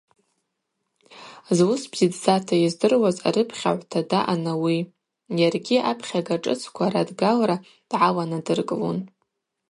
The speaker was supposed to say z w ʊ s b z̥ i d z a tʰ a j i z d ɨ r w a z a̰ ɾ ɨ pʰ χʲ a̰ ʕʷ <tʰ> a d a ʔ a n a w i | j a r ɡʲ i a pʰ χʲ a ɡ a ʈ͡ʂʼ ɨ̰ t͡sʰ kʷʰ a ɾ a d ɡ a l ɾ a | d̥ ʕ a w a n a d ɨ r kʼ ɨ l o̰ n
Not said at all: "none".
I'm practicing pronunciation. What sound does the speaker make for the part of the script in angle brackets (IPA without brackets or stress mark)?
tʰ